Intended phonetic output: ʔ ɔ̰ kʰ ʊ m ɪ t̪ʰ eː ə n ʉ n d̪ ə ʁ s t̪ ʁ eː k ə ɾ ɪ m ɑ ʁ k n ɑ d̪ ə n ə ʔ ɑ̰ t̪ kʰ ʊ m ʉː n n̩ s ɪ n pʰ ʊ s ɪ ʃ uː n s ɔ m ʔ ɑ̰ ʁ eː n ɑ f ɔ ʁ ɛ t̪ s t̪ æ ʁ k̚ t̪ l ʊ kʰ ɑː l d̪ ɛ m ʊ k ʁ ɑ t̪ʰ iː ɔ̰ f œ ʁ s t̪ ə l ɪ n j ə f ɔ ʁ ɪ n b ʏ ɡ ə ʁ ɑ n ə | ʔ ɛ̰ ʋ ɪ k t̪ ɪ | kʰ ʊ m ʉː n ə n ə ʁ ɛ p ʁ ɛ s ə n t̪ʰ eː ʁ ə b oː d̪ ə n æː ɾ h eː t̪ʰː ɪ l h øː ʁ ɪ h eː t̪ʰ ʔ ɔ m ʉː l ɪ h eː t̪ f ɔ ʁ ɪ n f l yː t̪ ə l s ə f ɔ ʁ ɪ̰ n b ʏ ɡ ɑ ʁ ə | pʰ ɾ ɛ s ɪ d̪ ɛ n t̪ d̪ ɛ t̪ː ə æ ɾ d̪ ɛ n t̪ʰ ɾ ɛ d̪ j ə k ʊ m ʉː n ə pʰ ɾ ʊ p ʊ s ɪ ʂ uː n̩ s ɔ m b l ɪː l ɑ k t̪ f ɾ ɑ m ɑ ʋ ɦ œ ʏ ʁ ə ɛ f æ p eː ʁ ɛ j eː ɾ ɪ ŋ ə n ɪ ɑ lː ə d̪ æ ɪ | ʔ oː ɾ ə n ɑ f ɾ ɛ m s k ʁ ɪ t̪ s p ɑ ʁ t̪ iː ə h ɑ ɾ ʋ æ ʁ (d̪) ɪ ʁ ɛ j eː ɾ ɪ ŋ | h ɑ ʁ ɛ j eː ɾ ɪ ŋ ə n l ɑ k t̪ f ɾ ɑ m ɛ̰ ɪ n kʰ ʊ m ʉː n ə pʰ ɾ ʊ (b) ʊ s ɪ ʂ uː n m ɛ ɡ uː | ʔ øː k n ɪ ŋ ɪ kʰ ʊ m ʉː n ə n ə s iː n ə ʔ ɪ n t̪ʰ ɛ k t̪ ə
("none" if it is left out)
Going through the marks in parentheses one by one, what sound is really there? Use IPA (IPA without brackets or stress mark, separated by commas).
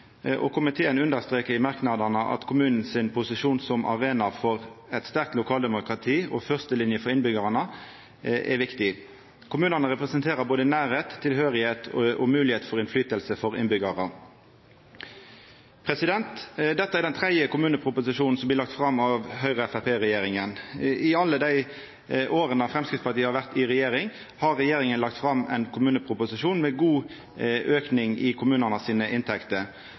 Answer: t̪, p